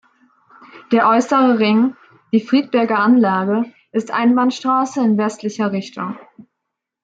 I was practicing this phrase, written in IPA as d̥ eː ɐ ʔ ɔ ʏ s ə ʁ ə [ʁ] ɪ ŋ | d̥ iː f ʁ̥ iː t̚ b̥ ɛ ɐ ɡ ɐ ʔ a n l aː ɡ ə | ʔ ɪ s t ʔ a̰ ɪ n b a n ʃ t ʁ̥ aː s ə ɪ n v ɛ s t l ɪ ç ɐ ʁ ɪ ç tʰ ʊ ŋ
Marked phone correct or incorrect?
correct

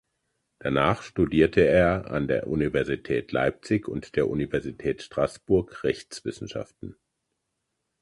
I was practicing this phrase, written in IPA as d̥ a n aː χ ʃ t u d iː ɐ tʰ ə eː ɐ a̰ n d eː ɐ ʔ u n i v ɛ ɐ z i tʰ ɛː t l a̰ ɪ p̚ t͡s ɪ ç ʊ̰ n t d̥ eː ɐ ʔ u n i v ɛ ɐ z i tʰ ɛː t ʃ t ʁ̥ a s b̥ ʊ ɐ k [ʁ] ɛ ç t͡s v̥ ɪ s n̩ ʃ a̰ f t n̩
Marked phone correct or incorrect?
correct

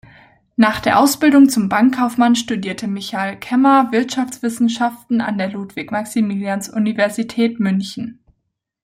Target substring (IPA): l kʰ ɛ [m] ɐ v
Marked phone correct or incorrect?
correct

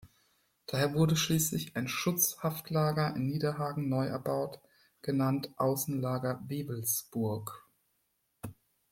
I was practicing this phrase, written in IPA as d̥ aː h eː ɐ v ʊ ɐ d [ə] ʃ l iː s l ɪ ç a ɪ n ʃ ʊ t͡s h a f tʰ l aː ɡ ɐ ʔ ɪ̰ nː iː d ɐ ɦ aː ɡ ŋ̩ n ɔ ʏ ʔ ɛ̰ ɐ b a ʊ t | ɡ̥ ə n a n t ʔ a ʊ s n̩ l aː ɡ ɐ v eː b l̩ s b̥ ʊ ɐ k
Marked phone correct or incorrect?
correct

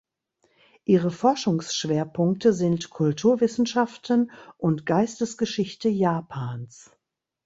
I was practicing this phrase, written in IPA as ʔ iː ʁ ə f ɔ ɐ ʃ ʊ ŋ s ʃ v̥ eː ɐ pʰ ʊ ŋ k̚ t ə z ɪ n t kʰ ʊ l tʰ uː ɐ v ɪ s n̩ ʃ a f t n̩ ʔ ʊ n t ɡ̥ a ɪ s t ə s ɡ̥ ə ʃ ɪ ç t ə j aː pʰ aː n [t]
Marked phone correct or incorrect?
incorrect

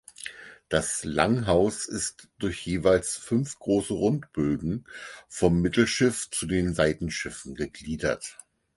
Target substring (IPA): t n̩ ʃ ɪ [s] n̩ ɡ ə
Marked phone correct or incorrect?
incorrect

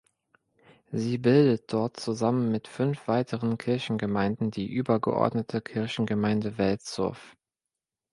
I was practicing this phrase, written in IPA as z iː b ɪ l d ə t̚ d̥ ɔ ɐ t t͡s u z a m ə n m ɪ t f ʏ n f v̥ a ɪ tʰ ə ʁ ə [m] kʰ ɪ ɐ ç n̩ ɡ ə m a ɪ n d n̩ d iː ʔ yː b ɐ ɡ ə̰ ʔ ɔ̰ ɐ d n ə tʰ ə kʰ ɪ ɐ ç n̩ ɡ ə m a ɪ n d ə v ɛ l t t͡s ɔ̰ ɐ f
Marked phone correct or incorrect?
incorrect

